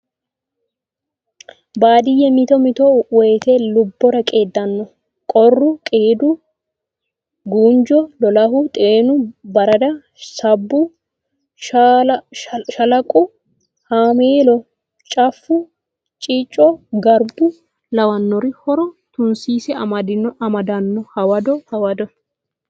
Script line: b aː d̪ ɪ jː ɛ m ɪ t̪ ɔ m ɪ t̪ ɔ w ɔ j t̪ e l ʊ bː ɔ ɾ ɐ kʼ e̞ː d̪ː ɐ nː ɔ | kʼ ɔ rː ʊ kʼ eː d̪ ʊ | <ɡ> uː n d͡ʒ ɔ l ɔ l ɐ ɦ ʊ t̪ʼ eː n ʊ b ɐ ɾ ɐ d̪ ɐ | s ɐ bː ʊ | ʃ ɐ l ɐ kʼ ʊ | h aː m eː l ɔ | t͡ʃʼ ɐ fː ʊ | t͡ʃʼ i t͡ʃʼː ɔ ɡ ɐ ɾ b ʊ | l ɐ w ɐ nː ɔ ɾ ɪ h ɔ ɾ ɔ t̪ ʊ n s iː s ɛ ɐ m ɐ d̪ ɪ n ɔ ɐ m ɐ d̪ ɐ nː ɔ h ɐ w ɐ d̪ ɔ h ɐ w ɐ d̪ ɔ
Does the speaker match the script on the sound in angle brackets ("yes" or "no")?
yes